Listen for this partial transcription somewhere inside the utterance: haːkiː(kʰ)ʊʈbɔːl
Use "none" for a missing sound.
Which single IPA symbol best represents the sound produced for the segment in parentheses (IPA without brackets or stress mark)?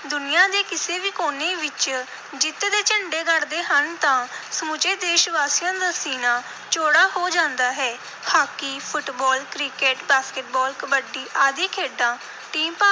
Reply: pʰ